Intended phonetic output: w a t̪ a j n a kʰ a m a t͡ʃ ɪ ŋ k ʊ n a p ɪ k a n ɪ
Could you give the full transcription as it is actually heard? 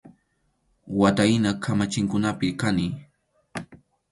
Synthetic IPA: w a t̪ a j n a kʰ a m a t͡ʃ ɪ ŋ k ʊ n a p ɪ k a n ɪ